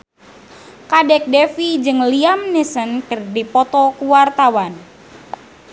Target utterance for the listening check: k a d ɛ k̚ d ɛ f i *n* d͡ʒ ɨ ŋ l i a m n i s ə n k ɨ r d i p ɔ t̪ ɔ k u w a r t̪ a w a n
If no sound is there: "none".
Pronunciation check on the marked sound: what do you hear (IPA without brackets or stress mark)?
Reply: none